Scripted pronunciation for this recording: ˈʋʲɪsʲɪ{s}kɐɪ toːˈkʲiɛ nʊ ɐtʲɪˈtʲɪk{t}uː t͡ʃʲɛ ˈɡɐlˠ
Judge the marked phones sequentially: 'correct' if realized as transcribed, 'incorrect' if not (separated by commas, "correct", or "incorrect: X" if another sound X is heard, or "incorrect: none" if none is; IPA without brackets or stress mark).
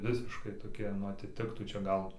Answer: incorrect: ʃ, correct